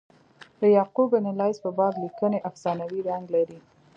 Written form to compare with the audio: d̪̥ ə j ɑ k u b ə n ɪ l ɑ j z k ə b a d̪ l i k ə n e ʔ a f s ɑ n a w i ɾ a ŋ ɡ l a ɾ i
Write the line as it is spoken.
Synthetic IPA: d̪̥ ə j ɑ q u b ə n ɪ l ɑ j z p ə b ɑ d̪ l i k ə n e ʔ a f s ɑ n a w i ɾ a ŋ ɡ l a ɾ i